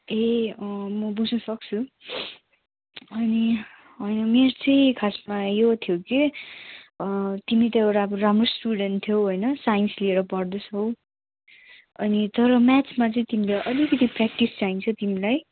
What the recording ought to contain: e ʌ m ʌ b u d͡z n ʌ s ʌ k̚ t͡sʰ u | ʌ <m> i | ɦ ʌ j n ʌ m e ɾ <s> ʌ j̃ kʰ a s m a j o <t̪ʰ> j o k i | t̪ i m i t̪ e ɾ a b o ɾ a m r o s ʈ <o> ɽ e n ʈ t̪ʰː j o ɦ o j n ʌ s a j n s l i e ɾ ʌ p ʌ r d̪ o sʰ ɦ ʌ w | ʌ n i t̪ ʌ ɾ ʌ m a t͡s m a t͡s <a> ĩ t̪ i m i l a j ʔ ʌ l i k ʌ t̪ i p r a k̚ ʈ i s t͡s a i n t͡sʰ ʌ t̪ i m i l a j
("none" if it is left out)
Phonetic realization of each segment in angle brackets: n, t͡s, t̪ʰ, u, ʌ

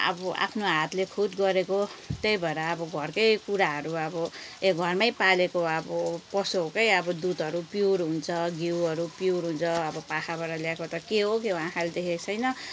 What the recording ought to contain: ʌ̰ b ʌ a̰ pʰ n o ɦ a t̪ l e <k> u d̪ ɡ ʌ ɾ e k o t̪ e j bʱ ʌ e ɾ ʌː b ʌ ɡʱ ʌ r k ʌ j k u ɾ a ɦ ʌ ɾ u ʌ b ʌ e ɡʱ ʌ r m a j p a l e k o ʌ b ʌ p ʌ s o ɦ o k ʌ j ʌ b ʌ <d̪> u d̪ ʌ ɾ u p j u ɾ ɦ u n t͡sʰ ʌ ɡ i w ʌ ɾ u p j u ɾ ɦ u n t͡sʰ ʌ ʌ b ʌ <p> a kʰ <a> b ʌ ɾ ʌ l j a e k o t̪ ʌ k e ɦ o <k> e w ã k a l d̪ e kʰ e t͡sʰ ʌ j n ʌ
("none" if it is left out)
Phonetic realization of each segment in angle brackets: kʰ, d̪, p, a, k

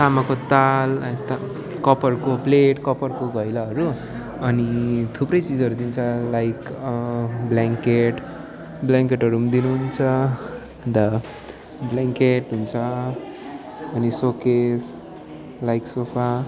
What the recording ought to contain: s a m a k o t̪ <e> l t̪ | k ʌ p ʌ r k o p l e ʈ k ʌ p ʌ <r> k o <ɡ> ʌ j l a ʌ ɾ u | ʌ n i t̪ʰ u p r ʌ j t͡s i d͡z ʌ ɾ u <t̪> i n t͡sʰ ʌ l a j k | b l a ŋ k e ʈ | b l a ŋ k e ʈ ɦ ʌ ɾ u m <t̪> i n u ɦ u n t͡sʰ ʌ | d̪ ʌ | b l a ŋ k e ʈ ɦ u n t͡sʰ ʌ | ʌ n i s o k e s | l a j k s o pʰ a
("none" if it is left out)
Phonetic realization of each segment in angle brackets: a, r, ɡ, d̪, d̪

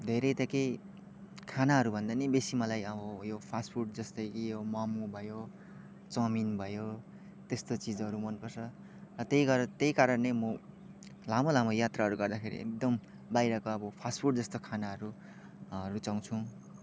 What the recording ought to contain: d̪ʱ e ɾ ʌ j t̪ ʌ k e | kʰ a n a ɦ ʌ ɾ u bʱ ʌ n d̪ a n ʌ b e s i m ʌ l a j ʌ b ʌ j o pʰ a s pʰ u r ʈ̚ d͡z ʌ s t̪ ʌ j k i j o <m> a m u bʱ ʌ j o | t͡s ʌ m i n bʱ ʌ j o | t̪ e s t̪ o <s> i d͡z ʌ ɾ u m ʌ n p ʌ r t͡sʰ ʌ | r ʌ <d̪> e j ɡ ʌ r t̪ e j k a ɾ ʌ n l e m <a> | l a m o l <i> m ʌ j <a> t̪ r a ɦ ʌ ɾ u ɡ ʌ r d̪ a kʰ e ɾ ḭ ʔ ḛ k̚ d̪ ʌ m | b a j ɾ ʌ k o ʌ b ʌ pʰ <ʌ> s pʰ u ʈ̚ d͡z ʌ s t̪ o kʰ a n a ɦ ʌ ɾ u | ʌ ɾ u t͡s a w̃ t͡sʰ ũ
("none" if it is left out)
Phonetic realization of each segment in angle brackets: m, t͡s, t̪, ʌ, a, a, a

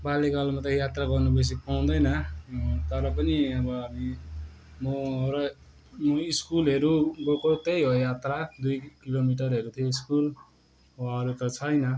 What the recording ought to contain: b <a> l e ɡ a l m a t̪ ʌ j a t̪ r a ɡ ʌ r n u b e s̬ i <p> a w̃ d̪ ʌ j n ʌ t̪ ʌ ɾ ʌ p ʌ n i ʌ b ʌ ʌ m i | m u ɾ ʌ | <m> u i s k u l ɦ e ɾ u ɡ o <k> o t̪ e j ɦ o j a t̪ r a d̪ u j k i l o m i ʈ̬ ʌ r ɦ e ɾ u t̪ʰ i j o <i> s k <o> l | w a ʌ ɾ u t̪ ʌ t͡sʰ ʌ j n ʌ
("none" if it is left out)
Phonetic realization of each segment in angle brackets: a, p, m, k, i, u

